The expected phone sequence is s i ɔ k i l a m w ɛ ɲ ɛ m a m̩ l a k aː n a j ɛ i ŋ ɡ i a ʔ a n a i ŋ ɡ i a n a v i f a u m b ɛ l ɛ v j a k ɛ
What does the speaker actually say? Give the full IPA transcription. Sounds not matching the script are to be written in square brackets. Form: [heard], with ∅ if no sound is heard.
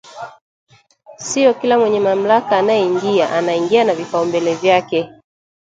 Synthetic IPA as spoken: s i ɔ k i l a m w ɛ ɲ ɛ m a m̩ l a k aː n a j ɛ i ŋ ɡ i a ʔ a n a i ŋ ɡ i a n a v i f a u m b ɛ l ɛ v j a k ɛ